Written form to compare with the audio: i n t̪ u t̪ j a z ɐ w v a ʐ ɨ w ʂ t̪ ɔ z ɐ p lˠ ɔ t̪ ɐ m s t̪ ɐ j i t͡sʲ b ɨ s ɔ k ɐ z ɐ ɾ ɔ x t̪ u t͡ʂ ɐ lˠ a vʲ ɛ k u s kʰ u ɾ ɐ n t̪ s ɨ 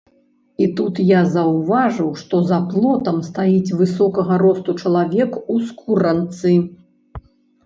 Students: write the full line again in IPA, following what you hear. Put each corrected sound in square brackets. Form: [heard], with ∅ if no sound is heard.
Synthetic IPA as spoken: i [∅] t̪ u t̪ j a z ɐ w v a ʐ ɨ w ʂ t̪ ɔ z ɐ p lˠ ɔ t̪ ɐ m s t̪ [a] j i t͡sʲ [v] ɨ s ɔ k ɐ [ɣ] ɐ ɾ ɔ [s] t̪ u t͡ʂ ɐ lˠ a vʲ ɛ k u s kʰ u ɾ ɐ n t̪ s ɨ